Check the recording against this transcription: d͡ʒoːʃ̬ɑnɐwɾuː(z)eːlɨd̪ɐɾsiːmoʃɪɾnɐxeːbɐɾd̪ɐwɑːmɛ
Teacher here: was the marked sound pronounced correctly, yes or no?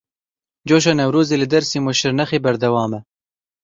yes